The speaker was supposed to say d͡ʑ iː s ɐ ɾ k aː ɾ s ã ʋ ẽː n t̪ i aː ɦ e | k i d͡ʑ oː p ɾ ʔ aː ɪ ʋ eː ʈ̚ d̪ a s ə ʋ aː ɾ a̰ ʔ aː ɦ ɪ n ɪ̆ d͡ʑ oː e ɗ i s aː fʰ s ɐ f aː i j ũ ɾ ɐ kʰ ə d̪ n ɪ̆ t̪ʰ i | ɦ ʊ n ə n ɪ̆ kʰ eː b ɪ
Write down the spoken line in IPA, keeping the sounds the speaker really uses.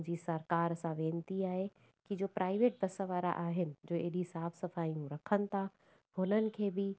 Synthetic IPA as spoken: d͡ʑ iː s ɐ ɾ k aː ɾ s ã ʋ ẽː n t̪ i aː ɦ e | k i d͡ʑ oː p ɾ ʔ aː ɪ ʋ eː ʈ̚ d̪ ɐ s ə ʋ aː ɾ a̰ ʔ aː ɦ ɪ n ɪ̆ d͡ʑ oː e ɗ i s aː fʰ s ɐ f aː i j ũ ɾ ɐ kʰ ə n ɪ̆ t̪ʰ a | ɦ ʊ n ə n ɪ̆ kʰ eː b ɪ